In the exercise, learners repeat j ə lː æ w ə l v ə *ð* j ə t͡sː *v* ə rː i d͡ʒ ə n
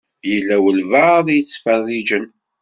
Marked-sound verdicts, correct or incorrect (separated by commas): correct, incorrect